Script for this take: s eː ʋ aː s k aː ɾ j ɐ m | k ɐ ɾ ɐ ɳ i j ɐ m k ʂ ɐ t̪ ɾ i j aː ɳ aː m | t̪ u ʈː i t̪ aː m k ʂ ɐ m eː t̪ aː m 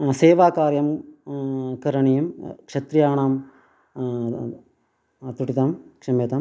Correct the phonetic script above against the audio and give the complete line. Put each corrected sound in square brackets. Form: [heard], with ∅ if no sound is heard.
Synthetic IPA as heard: s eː ʋ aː [∅] k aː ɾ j ɐ m | k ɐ ɾ ɐ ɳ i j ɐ m k ʂ ɐ t̪ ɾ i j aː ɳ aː m | t̪ u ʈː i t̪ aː m k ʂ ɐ m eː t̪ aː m